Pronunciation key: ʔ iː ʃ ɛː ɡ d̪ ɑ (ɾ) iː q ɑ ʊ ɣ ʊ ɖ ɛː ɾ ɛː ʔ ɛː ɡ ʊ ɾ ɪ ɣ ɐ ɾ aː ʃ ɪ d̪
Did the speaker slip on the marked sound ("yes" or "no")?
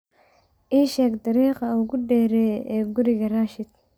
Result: no